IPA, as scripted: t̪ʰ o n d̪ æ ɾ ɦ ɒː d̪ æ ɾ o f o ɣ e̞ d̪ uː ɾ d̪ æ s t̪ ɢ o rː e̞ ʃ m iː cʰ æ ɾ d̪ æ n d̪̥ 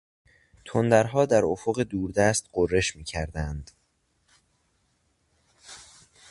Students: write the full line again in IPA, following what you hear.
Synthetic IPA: t̪ʰ o n d̪ æ ɾ ɦ ɒː d̪ æ ɾ o f o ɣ e̞ d̪ uː ɾ d̪ æ s t̪ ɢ o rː e̞ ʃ m iː cʰ æ ɾ d̪ æ n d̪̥